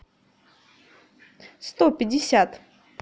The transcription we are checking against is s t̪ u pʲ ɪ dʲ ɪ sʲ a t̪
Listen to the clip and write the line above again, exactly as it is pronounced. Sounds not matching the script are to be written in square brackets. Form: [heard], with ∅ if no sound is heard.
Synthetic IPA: s t̪ [o] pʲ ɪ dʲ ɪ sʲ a t̪